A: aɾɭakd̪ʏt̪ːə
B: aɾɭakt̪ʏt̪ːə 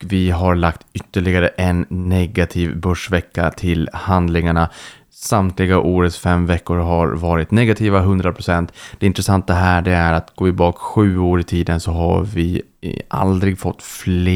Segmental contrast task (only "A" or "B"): B